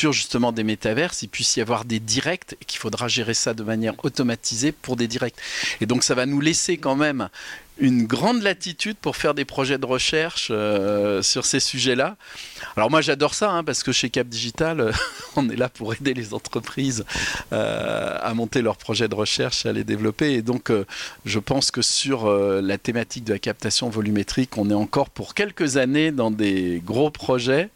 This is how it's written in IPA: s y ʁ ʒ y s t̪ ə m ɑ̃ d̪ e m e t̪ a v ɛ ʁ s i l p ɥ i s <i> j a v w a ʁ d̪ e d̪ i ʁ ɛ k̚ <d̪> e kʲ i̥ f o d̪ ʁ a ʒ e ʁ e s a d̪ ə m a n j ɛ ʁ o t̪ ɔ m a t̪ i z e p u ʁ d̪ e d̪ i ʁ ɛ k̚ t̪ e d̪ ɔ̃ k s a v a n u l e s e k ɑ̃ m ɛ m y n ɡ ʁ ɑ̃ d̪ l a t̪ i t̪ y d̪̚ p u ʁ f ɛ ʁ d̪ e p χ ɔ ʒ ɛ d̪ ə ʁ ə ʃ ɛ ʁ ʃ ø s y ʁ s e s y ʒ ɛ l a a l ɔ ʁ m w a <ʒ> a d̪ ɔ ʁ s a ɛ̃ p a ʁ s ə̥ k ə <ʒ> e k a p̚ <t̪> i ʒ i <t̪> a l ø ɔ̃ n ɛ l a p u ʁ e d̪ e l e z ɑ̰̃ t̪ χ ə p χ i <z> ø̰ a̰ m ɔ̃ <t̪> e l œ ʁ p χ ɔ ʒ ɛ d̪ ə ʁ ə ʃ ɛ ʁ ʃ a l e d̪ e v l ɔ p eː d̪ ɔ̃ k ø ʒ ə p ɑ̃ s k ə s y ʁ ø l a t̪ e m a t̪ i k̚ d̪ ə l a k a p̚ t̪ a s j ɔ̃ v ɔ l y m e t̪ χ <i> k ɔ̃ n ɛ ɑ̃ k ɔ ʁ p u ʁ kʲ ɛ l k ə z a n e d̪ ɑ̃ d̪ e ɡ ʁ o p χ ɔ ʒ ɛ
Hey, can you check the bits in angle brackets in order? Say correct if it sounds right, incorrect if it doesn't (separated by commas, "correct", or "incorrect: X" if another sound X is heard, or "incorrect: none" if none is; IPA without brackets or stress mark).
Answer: correct, incorrect: t̪, correct, incorrect: ʃ, incorrect: d̪, correct, correct, correct, correct